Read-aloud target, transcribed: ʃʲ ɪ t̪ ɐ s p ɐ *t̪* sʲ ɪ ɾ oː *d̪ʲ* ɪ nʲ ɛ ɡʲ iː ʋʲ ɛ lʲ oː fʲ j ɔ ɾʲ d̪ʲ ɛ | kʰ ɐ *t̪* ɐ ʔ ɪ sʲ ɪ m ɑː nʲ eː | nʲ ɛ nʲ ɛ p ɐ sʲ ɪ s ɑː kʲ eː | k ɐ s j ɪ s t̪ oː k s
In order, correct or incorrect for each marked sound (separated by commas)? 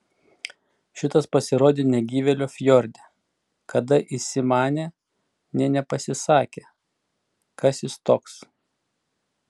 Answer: incorrect, correct, incorrect